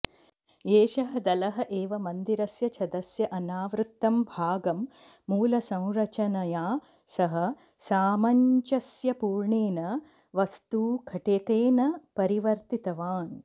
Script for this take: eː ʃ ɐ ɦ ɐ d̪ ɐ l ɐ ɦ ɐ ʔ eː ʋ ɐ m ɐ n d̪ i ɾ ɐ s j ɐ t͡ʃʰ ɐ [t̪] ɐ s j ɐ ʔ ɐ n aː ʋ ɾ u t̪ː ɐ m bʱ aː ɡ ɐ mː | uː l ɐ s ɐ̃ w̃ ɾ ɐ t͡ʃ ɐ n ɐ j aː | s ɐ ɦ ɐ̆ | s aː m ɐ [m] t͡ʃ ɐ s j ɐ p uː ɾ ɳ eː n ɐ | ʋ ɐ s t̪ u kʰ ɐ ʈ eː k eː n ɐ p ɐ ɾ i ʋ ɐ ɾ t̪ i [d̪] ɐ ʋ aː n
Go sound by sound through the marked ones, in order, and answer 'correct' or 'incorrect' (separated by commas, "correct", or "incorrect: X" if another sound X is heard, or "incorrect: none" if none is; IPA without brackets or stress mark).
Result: incorrect: d̪, incorrect: ɲ, incorrect: t̪